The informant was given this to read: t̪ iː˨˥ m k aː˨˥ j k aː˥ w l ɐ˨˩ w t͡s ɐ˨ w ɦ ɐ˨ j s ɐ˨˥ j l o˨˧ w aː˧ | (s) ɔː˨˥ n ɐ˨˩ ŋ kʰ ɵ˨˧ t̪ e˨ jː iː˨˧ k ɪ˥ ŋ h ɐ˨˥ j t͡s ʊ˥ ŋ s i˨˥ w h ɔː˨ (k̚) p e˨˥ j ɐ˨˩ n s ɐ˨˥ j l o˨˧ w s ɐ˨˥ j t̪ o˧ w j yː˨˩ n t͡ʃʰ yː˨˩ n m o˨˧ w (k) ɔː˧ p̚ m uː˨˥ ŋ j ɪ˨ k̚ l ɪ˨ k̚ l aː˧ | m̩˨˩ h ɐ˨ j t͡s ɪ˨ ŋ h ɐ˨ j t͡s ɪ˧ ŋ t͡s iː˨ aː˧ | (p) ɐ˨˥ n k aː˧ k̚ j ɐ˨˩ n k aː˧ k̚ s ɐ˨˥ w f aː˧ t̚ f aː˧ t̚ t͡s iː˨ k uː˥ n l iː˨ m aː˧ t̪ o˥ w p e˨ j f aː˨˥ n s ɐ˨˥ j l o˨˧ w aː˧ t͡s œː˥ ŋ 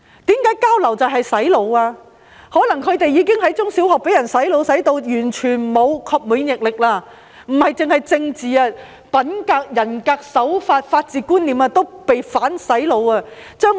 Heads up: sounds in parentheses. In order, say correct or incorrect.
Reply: incorrect: h, correct, incorrect: kʰ, correct

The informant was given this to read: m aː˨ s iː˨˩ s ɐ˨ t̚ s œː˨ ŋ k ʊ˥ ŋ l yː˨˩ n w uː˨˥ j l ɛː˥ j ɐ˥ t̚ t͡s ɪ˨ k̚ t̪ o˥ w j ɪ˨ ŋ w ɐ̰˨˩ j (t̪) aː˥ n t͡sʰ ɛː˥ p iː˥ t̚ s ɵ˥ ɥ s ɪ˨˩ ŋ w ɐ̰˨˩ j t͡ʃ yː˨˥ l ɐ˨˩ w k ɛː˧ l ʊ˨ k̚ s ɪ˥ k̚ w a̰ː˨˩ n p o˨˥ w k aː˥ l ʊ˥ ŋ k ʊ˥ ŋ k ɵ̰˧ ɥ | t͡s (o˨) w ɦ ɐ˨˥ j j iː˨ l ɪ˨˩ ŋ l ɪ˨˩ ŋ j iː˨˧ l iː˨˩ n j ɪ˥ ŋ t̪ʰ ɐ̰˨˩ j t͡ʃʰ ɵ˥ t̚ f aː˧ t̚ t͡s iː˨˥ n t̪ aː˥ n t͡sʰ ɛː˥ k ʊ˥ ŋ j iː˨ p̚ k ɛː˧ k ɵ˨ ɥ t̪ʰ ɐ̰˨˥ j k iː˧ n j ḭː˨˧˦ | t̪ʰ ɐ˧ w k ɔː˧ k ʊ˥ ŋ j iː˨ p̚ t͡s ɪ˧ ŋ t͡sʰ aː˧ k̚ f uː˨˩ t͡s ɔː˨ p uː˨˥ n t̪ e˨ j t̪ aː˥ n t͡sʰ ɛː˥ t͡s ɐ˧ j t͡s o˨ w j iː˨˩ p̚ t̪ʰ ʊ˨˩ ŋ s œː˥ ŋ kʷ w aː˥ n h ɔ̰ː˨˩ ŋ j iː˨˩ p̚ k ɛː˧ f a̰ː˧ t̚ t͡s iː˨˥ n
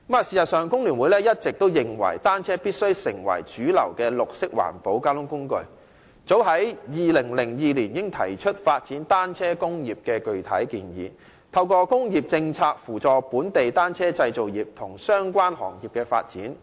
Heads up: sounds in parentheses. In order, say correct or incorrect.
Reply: correct, incorrect: o˨˥

